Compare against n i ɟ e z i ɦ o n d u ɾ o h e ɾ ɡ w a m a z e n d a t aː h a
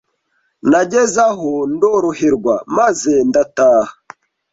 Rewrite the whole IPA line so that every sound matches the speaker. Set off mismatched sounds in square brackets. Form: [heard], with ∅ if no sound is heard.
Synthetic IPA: n [a] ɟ e z [a] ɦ o n d [o] ɾ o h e ɾ ɡ w a m a z e n d a t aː h a